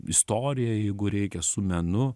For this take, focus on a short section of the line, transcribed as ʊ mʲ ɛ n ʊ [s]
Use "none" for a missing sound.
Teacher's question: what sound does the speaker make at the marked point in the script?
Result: none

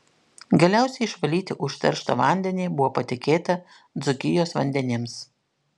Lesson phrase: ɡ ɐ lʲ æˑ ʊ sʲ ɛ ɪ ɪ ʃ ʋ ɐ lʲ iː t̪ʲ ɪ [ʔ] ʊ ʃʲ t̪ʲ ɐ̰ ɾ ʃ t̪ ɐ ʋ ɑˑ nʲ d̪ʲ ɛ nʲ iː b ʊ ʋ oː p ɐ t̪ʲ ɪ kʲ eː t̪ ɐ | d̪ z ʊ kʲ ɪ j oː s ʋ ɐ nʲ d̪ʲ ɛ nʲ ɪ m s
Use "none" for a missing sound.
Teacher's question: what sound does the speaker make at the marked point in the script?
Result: ʔ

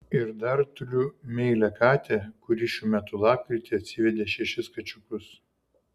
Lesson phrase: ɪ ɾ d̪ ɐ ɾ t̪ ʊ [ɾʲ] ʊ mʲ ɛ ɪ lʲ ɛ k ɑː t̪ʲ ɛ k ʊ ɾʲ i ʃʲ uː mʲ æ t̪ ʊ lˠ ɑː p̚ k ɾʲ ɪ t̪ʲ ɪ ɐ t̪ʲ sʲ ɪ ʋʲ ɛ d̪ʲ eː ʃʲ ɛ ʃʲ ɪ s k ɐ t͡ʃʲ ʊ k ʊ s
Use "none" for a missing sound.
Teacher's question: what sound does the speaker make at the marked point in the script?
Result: ɾʲ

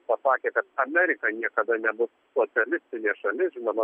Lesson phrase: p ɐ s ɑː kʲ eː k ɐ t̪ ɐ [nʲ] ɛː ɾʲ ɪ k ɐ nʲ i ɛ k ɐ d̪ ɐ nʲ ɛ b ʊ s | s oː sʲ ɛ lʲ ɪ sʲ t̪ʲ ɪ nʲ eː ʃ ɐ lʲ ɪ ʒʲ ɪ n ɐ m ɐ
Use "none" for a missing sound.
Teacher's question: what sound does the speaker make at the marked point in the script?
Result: mʲ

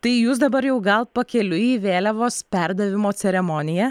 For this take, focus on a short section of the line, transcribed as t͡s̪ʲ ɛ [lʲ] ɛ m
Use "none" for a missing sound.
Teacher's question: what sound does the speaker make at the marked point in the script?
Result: ɾʲ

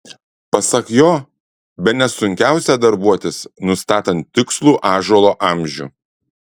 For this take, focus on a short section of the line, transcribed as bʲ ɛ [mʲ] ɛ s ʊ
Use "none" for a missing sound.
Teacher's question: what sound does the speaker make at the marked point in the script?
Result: nʲ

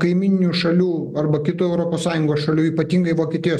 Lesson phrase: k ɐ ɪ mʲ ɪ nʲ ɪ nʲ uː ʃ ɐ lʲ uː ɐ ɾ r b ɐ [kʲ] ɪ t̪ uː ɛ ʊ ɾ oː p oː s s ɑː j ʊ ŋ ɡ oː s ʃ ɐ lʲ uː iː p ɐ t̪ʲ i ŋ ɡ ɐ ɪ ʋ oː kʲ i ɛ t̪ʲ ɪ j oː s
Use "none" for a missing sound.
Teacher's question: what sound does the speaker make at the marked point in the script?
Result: kʲ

